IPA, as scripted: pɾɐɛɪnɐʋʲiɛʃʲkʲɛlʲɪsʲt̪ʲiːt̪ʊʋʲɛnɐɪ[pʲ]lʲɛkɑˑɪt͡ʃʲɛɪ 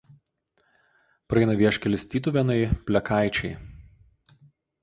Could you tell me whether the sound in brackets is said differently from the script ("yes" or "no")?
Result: no